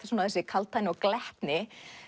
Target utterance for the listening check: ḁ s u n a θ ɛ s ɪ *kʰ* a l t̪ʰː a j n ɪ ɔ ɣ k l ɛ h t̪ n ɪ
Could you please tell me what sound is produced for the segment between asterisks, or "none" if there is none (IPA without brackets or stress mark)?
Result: kʰ